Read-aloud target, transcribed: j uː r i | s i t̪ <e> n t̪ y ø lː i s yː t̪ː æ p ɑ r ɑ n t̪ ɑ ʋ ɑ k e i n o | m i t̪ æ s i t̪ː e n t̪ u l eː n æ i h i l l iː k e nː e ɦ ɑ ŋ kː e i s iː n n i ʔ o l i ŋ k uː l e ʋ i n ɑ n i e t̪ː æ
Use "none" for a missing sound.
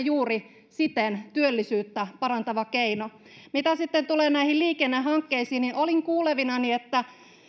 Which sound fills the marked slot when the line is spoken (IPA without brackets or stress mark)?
e